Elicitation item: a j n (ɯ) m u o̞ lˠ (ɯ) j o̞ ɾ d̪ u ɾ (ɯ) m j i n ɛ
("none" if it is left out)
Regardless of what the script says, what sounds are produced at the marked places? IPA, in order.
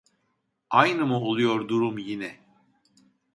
ɯ, u, u

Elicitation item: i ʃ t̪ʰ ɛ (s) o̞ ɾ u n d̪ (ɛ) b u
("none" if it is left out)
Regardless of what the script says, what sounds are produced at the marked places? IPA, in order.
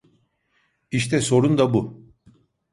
s, a

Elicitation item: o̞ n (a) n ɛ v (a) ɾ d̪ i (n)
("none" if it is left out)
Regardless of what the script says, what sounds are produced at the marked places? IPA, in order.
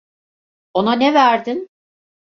a, æ, n

